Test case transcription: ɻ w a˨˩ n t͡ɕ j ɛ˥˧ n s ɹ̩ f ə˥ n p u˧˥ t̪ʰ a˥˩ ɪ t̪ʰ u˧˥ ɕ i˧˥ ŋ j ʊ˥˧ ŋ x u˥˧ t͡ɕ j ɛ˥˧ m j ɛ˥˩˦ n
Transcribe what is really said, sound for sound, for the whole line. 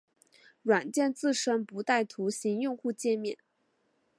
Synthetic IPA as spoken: ɻ w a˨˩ n t͡ɕ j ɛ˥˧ n t͡s ɹ̩ ʂ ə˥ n p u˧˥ t̪ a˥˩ ɪ t̪ʰ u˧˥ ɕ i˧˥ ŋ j ʊ˥˧ ŋ x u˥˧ t͡ɕ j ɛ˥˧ m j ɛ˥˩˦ n

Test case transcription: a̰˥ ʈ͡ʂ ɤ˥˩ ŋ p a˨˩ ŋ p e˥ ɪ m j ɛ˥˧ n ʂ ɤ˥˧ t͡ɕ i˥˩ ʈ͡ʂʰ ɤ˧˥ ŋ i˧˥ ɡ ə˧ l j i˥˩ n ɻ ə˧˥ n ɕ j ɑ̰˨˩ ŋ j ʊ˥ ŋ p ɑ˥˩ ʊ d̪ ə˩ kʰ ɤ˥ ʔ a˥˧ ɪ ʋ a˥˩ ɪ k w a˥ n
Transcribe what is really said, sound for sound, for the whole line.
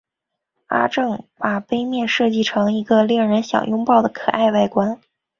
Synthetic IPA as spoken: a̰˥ ʈ͡ʂ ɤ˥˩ ŋ p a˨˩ p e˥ ɪ m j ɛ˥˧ n ʂ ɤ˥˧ t͡ɕ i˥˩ ʈ͡ʂʰ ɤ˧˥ ŋ i˧˥ ɡ ə˧ l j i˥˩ ŋ ɻ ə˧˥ n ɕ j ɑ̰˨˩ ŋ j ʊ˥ ŋ p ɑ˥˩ ʊ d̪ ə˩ kʰ ɤ˨˩ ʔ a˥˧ ɪ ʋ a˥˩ ɪ k w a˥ n

